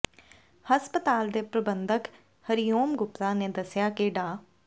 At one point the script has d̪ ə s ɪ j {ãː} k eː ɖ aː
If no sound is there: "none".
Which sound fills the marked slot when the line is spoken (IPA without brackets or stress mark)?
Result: aː